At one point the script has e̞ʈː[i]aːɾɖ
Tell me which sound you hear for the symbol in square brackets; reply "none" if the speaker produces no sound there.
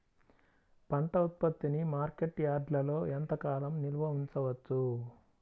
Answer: j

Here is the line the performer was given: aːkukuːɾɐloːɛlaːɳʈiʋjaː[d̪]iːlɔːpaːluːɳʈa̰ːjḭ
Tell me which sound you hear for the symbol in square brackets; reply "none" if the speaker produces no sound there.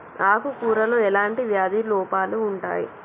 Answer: d̪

